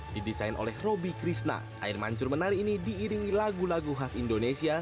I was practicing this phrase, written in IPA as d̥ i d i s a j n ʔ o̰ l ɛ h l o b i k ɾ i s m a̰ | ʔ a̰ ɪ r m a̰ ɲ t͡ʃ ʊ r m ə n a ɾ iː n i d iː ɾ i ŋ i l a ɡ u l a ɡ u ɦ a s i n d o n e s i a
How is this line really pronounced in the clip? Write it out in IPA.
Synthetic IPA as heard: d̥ i d i s a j n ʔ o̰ l ɛ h r o b i k ɾ i s n a̰ | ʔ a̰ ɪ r m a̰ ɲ t͡ʃ ʊ r m ə n a ɾ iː n i d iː ɾ i ŋ i l a ɡ u l a ɡ u ɦ a s i n d o n e s i a